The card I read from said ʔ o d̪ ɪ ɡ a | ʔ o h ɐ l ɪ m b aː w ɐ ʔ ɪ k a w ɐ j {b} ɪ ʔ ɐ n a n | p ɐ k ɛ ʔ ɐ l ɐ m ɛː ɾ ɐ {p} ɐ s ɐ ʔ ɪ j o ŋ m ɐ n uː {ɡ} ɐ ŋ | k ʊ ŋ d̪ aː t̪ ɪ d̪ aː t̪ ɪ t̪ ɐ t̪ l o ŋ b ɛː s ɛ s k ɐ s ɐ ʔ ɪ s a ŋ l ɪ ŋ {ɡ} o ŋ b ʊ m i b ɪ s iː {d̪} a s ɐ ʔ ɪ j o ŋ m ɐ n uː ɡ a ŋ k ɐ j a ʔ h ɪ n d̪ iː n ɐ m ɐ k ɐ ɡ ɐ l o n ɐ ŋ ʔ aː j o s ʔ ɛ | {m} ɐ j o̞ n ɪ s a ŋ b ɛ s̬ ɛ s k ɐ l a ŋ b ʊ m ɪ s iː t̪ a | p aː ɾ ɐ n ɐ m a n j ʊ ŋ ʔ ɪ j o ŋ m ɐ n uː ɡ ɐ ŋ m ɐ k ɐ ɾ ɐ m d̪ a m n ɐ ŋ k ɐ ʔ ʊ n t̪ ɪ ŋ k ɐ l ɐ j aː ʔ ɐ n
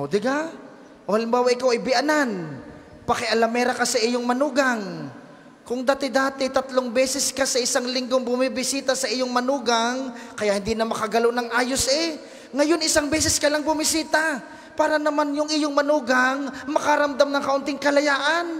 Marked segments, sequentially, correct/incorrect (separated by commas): correct, incorrect, correct, correct, incorrect, incorrect